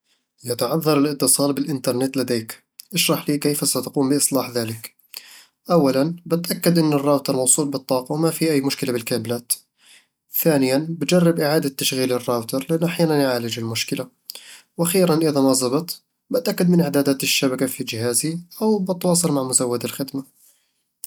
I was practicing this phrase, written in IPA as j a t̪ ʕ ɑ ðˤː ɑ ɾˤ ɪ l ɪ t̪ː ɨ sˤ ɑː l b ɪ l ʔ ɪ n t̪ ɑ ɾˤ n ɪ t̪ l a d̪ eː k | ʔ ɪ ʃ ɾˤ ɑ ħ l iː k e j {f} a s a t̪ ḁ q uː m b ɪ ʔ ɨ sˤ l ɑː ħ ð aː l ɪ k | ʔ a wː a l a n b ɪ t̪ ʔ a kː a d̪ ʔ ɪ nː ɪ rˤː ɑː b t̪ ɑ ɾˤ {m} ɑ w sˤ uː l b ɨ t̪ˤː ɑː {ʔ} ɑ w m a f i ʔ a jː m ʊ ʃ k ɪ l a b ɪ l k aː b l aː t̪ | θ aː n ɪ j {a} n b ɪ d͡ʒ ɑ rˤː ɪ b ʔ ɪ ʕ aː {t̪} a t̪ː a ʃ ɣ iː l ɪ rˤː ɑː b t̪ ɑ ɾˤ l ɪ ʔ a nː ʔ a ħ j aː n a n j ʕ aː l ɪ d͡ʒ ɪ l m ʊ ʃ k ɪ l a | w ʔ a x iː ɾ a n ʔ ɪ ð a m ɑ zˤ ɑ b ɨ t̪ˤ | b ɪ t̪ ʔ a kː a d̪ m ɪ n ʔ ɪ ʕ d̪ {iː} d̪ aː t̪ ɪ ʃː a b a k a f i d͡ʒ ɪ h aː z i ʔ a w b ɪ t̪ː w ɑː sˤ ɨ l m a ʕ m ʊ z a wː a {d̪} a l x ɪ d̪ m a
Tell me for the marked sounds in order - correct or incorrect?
correct, correct, incorrect, correct, incorrect, incorrect, correct

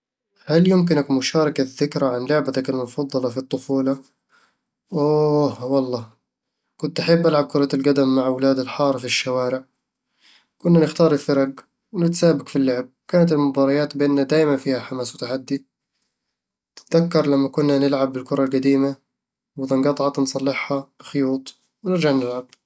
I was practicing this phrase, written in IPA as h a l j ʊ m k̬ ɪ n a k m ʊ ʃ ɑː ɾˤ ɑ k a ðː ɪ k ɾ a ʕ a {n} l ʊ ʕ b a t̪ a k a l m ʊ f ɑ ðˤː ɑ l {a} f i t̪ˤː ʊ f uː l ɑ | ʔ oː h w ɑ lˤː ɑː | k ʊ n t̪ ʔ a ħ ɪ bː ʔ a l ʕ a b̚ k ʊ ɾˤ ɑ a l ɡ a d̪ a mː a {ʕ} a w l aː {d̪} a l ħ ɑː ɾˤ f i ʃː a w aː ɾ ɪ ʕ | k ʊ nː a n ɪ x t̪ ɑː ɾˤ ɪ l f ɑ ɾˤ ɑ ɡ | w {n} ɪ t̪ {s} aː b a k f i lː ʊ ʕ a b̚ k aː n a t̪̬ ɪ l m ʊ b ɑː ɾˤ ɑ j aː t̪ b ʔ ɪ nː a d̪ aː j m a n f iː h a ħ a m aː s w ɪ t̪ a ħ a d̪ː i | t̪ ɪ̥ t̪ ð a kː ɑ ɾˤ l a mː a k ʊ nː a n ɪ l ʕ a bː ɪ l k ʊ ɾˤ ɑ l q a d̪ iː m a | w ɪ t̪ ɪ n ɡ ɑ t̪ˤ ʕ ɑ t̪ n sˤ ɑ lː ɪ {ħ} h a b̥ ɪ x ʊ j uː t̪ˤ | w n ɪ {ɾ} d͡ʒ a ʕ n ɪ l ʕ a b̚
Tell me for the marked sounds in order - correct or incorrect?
correct, incorrect, correct, correct, correct, correct, correct, correct

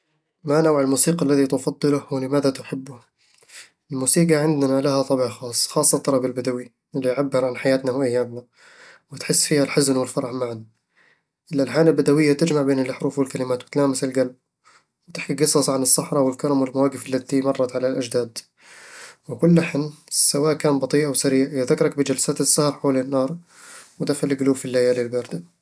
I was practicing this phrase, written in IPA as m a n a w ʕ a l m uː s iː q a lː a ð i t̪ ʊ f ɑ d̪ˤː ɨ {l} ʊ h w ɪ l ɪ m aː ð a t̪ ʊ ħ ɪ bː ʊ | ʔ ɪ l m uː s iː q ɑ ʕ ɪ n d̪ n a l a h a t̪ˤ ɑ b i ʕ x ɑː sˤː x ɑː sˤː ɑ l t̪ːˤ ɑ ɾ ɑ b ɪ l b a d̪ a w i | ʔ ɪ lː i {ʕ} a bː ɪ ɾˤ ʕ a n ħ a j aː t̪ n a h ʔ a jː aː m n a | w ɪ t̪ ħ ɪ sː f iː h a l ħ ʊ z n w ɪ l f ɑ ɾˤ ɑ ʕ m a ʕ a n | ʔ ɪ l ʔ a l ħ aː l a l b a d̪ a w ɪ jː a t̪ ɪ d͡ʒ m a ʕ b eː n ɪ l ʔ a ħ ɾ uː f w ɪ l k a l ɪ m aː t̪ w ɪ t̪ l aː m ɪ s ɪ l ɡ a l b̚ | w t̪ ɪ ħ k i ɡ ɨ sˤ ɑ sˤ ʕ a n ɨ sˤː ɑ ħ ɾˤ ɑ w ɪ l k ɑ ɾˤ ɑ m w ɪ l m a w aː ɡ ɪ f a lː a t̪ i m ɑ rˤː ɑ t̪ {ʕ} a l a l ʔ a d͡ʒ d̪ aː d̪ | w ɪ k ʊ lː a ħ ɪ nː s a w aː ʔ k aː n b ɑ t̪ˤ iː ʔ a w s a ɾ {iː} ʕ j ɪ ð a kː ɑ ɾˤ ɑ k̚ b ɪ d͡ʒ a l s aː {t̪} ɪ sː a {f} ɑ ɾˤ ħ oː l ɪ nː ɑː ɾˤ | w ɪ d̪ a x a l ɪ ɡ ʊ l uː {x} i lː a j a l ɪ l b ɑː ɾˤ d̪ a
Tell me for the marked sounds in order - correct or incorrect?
correct, correct, correct, correct, correct, incorrect, incorrect

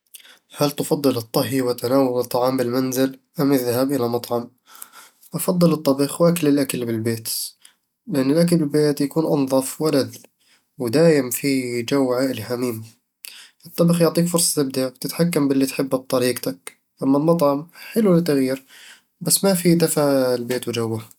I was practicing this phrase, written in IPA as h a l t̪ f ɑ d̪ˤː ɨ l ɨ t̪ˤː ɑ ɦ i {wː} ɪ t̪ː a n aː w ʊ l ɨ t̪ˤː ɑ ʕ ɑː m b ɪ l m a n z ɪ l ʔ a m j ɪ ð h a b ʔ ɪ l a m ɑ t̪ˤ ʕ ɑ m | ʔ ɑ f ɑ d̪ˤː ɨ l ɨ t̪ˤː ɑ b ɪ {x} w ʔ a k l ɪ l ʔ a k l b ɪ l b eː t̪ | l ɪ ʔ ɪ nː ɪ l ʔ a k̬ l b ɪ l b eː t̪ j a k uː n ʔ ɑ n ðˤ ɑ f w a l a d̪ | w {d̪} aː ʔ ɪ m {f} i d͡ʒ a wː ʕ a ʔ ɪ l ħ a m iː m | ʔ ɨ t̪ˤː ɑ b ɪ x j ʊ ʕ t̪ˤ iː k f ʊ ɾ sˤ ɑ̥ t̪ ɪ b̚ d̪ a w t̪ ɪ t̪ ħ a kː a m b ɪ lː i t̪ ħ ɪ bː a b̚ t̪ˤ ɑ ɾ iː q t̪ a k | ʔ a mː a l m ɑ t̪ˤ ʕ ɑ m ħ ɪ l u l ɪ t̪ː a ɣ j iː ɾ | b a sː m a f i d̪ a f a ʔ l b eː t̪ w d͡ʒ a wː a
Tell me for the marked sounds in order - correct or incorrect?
incorrect, correct, correct, correct

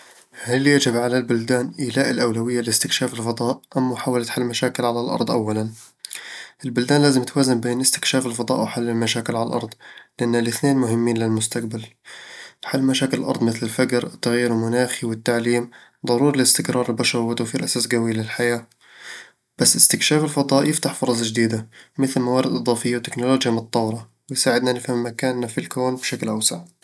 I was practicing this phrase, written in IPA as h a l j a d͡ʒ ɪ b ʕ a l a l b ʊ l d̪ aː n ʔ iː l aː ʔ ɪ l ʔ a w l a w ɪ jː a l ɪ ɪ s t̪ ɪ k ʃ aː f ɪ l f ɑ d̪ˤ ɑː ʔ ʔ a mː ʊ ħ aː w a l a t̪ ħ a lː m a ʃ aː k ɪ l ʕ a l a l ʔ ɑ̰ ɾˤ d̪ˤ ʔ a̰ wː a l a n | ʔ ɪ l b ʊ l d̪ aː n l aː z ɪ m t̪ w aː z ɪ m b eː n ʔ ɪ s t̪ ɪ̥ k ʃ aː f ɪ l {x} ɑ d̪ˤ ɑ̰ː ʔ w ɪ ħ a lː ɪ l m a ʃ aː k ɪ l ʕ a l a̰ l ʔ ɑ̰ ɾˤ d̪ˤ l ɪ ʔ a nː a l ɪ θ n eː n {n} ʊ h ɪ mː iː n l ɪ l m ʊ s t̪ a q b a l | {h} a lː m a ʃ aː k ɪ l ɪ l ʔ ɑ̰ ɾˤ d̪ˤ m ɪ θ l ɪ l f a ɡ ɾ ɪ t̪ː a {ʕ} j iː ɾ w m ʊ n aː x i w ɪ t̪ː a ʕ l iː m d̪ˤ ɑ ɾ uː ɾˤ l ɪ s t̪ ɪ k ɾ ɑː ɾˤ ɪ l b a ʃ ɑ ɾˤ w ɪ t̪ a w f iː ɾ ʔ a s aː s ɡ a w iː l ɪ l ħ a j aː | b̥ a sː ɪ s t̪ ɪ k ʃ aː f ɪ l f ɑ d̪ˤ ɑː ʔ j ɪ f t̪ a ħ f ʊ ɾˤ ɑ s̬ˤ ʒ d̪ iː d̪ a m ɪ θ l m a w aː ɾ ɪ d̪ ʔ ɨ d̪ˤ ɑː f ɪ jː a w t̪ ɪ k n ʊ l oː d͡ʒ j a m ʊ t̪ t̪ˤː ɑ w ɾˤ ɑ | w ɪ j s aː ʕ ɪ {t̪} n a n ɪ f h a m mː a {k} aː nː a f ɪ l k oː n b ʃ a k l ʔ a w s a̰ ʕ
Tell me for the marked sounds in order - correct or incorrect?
incorrect, incorrect, incorrect, incorrect, incorrect, correct

